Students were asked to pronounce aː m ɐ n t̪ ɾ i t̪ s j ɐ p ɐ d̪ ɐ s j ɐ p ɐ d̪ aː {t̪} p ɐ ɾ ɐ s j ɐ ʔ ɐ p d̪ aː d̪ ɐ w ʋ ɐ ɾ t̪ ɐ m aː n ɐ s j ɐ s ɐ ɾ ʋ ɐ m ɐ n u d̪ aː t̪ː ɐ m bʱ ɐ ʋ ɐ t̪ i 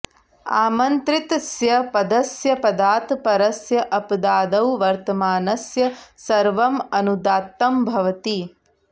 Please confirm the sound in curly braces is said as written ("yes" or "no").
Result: yes